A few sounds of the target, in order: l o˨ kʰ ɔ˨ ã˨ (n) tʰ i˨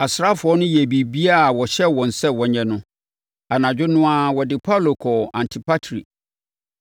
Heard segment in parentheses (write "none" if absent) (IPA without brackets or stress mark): n